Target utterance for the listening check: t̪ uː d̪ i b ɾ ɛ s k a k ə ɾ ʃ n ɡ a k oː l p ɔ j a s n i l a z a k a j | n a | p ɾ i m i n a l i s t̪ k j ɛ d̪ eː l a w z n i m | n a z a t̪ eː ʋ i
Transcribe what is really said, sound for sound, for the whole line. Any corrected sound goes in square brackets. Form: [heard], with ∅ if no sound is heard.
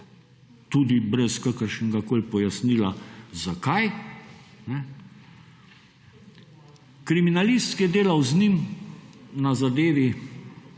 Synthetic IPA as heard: t̪ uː d̪ i b ɾ ɛ s k a k ə ɾ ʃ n ɡ a k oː l p ɔ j a s n i l a z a k a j | n [ɛ] | [k] ɾ i m i n a l i s t̪ k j ɛ d̪ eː l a w z n i m | n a z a [d̪] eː ʋ i